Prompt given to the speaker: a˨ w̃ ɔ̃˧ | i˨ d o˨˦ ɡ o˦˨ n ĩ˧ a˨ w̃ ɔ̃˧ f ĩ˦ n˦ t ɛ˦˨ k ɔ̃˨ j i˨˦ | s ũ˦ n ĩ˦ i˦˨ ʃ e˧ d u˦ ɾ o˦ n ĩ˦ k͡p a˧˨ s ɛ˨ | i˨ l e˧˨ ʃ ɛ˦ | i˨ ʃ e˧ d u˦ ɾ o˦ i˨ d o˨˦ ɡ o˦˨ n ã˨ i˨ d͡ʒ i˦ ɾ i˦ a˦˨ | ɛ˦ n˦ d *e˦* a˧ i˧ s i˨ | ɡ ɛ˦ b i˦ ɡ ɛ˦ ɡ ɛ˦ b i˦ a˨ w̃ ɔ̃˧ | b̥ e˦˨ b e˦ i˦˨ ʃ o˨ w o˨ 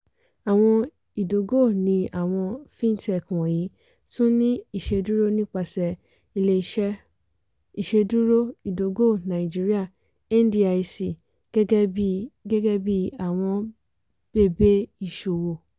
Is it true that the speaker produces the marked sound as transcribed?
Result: no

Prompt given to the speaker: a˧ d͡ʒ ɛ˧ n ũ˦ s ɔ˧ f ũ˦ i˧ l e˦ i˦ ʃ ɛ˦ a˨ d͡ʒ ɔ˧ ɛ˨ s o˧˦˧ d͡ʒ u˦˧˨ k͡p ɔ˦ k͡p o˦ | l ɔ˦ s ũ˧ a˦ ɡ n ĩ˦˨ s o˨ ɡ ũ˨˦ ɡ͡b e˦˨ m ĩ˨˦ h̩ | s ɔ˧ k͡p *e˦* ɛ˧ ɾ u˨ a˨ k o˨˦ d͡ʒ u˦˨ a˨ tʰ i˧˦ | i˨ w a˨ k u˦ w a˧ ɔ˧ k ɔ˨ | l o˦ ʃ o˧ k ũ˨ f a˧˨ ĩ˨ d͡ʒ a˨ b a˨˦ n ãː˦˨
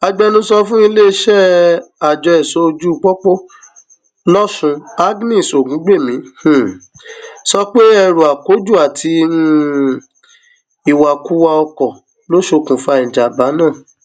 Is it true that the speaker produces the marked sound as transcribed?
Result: yes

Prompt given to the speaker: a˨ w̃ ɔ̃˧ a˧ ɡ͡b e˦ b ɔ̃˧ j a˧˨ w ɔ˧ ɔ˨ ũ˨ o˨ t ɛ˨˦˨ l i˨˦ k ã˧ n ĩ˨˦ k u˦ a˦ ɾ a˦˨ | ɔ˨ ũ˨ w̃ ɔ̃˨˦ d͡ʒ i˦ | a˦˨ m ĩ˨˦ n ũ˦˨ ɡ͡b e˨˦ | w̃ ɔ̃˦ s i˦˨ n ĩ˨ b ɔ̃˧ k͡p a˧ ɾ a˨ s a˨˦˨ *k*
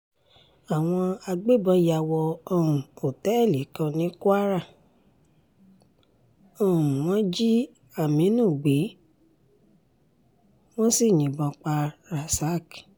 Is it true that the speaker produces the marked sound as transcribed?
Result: yes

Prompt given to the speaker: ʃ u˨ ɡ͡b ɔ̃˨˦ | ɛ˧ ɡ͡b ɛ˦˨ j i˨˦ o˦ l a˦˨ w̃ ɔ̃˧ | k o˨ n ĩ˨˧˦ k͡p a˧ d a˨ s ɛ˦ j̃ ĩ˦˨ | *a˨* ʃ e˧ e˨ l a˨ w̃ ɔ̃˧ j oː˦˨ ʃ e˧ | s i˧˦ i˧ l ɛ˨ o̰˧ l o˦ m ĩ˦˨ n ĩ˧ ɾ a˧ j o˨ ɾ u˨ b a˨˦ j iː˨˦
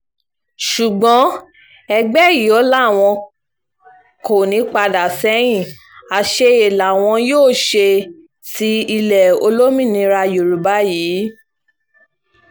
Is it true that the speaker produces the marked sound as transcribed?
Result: yes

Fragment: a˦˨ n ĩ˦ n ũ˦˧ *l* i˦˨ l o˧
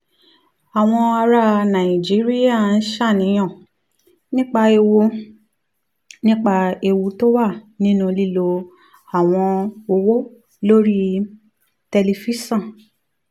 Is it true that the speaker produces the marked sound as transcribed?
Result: yes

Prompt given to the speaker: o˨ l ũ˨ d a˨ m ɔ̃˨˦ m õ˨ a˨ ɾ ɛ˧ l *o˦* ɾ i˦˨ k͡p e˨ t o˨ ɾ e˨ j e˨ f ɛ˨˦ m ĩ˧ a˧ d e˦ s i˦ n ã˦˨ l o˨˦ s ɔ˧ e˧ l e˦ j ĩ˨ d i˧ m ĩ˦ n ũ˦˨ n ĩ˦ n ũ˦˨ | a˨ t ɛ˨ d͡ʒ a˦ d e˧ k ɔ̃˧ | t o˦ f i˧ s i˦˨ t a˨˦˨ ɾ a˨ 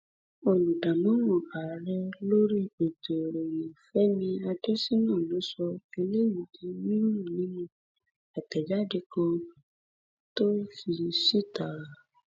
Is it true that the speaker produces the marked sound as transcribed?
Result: yes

